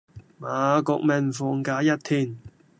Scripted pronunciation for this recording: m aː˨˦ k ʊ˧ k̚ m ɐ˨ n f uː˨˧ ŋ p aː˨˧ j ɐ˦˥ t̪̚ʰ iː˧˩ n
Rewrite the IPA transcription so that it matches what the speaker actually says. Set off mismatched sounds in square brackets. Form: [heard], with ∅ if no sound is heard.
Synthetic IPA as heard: m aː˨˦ k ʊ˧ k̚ m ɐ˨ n f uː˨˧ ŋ [k] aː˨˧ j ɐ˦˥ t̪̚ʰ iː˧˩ n